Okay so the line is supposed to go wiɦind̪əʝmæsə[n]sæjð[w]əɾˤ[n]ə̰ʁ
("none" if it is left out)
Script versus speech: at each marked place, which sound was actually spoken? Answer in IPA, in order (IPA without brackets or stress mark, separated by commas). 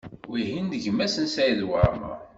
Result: n, w, m